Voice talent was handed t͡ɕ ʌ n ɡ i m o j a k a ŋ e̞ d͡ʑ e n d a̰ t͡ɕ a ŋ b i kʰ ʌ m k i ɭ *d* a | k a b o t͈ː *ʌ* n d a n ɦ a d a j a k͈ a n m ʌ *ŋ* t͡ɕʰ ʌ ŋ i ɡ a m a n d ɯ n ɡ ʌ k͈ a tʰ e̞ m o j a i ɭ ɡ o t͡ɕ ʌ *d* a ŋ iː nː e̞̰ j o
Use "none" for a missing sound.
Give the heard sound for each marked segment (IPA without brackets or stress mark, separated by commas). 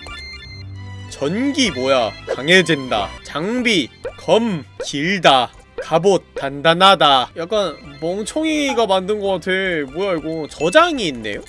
d, a, ŋ, d͡ʑ